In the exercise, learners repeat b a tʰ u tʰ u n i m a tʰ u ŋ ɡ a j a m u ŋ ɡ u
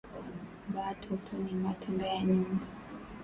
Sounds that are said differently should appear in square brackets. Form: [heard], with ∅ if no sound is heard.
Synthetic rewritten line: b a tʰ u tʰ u n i m a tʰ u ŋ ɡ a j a [ɲ] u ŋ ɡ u